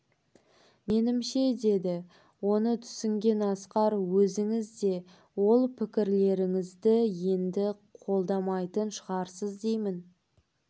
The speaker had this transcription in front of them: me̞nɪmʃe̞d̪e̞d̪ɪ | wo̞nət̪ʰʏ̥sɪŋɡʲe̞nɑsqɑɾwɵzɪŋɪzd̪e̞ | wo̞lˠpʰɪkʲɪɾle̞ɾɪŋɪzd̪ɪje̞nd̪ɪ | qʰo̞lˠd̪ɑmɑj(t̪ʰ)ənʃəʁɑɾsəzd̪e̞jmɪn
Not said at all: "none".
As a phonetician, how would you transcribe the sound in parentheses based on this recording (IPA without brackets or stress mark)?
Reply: t̪